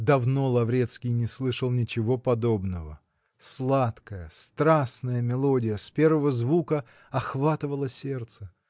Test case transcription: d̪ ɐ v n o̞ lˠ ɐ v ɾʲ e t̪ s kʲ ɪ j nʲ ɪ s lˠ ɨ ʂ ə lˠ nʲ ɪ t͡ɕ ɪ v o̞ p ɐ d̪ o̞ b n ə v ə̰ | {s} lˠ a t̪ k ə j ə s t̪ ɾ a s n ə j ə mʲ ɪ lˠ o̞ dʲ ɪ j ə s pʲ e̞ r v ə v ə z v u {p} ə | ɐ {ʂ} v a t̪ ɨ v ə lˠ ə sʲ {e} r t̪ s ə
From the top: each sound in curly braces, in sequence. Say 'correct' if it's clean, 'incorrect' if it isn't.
correct, incorrect: k, incorrect: x, correct

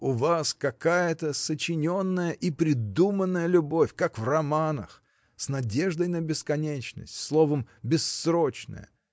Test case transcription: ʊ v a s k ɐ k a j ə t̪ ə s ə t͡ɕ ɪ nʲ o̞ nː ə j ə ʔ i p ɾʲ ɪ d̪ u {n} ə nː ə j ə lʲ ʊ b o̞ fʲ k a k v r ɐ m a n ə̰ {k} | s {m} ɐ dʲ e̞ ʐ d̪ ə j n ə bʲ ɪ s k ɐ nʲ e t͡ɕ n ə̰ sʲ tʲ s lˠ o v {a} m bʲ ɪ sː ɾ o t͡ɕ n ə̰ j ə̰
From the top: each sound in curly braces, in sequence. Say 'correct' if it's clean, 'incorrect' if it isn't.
incorrect: m, incorrect: x, incorrect: n, incorrect: ə

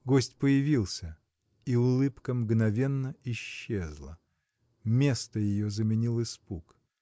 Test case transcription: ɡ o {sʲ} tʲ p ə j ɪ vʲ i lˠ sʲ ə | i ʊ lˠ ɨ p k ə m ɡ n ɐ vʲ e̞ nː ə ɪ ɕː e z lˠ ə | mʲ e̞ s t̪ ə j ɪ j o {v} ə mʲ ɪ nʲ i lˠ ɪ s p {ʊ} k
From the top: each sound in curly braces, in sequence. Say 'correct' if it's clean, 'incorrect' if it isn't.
correct, incorrect: z, incorrect: u

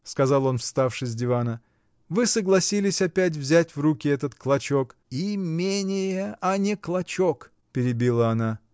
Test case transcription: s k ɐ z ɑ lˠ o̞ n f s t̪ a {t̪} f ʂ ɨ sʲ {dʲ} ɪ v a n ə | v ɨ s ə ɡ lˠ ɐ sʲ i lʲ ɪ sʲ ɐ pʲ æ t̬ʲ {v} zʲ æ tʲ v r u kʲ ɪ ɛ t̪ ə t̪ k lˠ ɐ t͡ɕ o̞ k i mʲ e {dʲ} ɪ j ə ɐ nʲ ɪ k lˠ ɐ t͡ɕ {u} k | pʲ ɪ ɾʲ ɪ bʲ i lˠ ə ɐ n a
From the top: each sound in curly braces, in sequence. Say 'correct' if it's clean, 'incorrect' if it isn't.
incorrect: none, correct, correct, incorrect: nʲ, incorrect: o

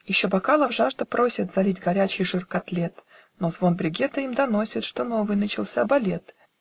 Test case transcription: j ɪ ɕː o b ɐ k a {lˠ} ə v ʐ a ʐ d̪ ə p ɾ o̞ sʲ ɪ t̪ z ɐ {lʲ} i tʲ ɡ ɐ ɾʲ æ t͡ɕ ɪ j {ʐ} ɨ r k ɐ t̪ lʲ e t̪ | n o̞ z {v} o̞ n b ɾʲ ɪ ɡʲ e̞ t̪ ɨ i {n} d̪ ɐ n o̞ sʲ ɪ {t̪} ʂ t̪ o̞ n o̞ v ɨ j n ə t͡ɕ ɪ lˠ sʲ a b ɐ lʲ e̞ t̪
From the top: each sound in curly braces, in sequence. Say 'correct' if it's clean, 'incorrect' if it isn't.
correct, correct, correct, correct, incorrect: m, correct

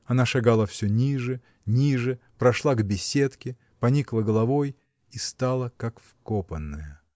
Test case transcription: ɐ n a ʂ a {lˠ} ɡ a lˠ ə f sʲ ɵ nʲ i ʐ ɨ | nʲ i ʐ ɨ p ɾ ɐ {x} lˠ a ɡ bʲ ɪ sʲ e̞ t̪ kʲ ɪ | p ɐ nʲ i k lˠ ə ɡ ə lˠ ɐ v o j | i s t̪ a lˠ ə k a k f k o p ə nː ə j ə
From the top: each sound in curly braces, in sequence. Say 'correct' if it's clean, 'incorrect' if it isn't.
incorrect: none, incorrect: ʂ

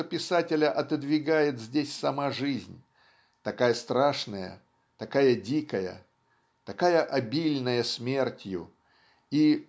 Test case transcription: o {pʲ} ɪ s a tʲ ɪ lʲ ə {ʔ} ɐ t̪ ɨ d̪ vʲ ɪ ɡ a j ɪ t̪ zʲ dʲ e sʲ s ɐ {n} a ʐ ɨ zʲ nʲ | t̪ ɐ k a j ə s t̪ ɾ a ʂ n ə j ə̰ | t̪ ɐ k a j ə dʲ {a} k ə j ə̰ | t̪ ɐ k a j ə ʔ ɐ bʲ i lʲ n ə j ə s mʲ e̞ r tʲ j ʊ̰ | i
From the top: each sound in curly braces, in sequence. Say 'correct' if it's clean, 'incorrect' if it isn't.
correct, correct, incorrect: m, incorrect: i

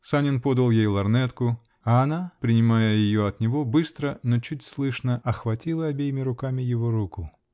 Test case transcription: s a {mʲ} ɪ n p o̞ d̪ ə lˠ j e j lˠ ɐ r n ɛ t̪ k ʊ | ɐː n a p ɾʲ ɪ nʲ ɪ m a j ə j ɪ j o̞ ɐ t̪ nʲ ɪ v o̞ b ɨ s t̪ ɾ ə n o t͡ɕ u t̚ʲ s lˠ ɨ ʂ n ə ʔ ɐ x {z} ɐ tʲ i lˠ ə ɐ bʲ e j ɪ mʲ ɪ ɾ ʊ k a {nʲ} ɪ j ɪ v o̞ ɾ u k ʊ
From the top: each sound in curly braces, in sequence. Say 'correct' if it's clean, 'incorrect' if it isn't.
incorrect: nʲ, incorrect: v, incorrect: mʲ

